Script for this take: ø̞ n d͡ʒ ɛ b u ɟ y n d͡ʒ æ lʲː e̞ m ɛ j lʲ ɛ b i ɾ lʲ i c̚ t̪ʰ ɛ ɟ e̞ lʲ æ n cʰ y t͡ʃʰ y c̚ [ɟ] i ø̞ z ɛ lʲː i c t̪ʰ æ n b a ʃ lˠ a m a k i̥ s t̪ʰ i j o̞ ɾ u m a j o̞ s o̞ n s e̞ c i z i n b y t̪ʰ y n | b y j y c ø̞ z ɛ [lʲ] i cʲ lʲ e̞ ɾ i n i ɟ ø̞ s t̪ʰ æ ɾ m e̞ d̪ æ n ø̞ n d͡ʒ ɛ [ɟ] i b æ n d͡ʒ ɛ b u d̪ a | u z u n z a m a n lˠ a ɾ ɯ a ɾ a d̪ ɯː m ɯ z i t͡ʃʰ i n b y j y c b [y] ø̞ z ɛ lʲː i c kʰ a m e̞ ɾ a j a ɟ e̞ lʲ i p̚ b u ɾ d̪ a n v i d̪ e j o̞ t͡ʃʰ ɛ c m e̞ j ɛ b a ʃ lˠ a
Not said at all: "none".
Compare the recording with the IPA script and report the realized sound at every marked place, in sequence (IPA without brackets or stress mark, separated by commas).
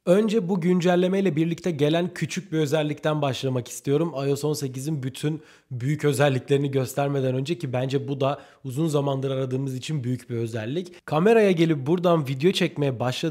b, lʲː, c, i